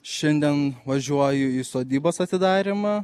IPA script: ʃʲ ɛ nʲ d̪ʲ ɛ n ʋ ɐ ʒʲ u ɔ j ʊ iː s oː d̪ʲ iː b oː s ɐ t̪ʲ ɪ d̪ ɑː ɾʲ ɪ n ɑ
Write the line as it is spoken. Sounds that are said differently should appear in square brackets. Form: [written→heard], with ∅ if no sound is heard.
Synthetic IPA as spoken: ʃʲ ɛ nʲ d̪ʲ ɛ n ʋ ɐ ʒʲ u ɔ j ʊ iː s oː d̪ʲ iː b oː s ɐ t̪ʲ ɪ d̪ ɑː ɾʲ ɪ [n→m] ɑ